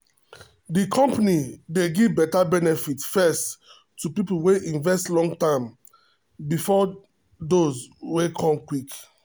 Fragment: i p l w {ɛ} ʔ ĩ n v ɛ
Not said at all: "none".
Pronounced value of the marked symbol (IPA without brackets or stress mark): e